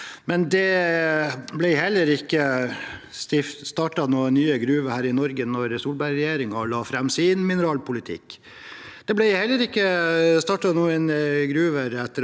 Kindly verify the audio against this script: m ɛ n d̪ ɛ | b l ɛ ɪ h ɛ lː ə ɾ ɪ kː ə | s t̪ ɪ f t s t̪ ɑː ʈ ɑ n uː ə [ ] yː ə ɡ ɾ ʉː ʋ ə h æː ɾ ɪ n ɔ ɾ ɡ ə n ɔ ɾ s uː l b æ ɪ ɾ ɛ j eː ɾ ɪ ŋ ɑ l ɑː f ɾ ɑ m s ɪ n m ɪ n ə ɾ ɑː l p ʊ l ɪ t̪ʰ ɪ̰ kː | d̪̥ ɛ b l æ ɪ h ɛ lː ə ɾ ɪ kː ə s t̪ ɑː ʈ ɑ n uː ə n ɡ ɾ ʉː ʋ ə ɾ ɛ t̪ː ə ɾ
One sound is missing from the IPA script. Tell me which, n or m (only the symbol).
n